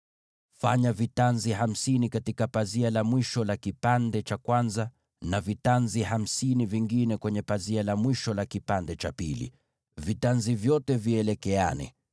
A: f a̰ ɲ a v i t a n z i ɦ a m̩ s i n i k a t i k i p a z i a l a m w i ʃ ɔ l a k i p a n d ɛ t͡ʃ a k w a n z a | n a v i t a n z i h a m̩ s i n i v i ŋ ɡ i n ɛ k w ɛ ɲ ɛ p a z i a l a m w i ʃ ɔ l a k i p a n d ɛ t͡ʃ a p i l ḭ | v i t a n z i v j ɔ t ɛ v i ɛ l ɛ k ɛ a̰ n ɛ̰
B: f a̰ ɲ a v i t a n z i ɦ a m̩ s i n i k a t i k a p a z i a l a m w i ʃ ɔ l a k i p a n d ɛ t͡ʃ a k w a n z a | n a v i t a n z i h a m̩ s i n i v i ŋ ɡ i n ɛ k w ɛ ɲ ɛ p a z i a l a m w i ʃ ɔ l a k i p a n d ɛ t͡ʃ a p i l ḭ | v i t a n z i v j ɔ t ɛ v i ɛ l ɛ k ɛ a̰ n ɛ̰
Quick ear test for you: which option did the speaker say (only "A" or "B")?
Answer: B